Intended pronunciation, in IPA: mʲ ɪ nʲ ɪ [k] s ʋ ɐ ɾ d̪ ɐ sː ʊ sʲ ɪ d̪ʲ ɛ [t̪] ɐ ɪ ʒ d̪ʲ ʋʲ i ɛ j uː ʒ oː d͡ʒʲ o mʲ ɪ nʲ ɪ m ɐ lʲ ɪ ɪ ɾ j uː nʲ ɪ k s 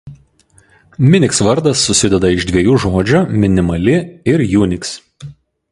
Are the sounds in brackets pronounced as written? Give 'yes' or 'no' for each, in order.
yes, no

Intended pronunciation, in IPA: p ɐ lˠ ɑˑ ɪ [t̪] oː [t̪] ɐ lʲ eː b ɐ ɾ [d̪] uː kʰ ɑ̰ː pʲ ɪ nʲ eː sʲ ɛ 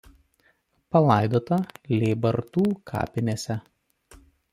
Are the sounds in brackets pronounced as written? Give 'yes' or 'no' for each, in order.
no, yes, no

